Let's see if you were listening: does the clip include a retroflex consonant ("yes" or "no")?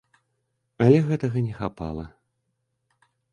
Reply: no